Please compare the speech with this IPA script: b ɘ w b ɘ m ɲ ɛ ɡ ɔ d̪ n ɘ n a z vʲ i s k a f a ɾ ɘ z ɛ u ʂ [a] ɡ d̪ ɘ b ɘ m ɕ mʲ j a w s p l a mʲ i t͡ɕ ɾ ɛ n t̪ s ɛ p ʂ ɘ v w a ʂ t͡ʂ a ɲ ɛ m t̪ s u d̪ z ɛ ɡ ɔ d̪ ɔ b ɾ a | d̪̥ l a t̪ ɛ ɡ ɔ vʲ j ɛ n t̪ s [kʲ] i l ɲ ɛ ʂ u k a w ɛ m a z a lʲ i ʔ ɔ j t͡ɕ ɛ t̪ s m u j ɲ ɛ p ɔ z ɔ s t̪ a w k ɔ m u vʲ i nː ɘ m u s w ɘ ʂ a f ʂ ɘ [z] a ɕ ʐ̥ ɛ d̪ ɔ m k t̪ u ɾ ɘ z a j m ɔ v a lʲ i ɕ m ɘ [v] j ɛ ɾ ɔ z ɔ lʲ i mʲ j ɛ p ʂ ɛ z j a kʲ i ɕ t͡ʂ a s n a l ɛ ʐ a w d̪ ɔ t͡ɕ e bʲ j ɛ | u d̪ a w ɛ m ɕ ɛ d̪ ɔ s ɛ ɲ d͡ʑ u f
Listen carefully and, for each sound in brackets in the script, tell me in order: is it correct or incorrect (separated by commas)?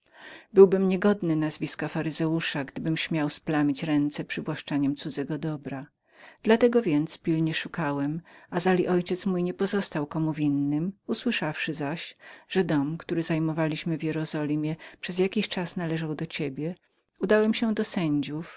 correct, incorrect, correct, correct